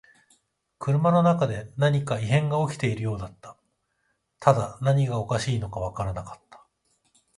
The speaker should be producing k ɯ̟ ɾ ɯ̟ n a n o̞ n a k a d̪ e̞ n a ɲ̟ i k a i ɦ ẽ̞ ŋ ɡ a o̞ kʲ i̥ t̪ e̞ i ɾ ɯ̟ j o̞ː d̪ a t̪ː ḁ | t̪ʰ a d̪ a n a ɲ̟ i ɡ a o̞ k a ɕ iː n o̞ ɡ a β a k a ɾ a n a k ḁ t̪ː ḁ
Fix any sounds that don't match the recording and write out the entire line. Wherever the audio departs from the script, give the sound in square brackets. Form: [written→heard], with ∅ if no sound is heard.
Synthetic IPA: k ɯ̟ ɾ ɯ̟ [n→m] a n o̞ n a k a d̪ e̞ n a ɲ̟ i k a i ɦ ẽ̞ ŋ ɡ a o̞ kʲ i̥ t̪ e̞ i ɾ ɯ̟ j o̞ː d̪ a t̪ː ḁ | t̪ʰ a d̪ a n a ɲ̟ i ɡ a o̞ k a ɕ iː n o̞ [ɡ→k] a β a k a ɾ a n a k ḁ t̪ː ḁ